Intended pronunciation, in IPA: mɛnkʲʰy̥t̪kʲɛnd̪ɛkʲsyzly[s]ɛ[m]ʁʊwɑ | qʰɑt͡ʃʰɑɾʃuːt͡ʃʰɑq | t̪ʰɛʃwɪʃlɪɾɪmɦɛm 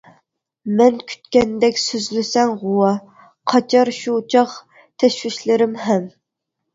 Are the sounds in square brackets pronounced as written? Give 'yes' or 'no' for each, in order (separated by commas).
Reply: yes, no